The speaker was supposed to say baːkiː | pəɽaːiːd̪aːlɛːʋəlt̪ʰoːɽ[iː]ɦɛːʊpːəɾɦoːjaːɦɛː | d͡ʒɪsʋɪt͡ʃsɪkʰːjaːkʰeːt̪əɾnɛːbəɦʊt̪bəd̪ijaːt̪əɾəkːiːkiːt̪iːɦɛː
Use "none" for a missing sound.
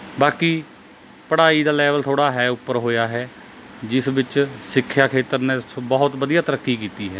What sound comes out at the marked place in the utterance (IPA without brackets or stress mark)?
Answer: aː